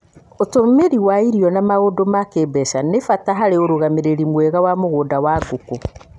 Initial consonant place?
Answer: alveolar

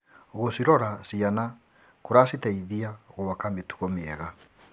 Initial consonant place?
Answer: velar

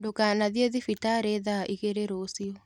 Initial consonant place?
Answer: alveolar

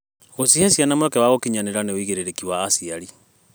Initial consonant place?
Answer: velar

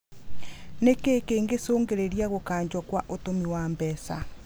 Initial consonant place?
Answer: alveolar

